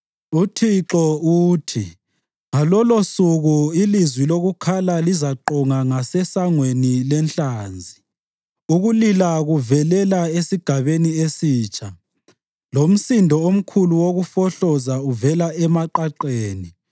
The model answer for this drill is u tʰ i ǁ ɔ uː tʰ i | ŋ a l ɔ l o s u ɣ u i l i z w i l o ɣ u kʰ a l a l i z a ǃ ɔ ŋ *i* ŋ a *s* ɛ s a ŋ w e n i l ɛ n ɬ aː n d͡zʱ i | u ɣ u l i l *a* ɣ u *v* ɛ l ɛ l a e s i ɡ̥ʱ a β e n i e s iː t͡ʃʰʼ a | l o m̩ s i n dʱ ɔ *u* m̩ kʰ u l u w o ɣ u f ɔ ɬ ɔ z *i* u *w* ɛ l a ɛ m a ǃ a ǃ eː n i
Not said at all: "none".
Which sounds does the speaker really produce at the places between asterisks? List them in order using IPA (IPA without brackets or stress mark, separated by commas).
a, s, a, v, o, a, v